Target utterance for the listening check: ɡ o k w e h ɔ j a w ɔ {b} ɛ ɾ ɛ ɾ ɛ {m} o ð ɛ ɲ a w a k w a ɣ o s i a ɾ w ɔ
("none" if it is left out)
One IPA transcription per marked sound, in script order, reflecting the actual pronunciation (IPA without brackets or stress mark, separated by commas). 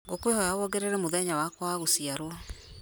ɡ, m